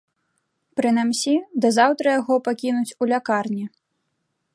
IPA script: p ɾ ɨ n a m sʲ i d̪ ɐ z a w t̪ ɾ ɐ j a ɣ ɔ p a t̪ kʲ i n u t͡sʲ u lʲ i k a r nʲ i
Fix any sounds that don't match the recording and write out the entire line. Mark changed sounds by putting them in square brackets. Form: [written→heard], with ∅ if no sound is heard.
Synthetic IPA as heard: p ɾ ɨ n a m sʲ i d̪ ɐ z a w t̪ ɾ ɐ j a ɣ ɔ p a [t̪→∅] kʲ i n u t͡sʲ u lʲ [i→a] k a r nʲ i